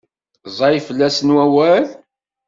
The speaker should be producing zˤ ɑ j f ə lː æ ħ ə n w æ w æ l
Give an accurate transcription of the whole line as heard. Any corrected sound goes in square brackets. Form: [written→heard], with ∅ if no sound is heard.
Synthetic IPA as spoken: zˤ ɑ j f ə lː æ [ħ→s] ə n w æ w æ l